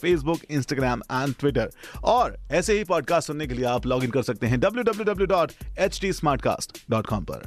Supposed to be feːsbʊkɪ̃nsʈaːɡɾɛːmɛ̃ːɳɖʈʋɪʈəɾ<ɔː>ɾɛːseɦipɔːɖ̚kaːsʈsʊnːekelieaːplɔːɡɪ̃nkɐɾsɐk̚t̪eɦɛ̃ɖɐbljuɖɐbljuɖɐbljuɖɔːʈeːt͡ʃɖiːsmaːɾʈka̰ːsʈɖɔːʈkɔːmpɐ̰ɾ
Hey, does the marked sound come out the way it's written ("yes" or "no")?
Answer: yes